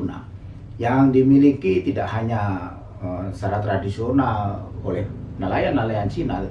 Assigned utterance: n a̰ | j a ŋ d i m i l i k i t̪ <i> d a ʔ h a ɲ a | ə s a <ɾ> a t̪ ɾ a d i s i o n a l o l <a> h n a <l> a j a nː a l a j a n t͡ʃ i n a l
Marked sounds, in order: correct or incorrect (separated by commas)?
correct, correct, incorrect, correct